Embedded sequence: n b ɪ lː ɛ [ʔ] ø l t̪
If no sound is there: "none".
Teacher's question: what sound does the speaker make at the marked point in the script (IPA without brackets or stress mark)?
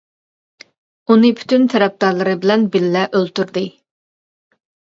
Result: ʔ